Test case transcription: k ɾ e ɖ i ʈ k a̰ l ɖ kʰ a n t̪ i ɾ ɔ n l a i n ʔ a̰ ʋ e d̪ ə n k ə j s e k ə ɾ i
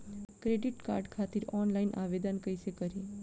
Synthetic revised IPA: k ɾ e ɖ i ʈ k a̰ ɾ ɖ kʰ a t̪ i ɾ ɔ n l a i n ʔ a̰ ʋ e d̪ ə n k ə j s e k ə ɾ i